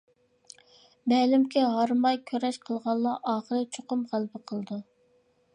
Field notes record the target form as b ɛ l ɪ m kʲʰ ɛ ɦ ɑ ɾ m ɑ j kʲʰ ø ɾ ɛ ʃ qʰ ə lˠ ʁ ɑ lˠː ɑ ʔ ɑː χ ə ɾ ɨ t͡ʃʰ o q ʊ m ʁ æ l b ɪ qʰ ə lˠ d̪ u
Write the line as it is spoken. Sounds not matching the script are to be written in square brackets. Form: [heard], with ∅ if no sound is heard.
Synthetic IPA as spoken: b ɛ l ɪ m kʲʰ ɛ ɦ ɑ ɾ m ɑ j kʲʰ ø ɾ ɛ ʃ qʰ ə lˠ ʁ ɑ lˠː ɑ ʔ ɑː χ ə ɾ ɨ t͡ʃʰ o q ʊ m ʁ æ l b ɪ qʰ ə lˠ d̪ u